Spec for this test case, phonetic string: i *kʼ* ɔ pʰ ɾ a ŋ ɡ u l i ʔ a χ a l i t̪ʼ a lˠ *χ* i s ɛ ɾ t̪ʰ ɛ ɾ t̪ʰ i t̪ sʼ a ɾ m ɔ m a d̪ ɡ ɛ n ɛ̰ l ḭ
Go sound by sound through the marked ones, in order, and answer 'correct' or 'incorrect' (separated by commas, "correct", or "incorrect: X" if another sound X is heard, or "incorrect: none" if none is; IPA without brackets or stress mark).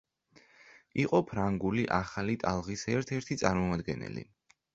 incorrect: qʼ, incorrect: ʁ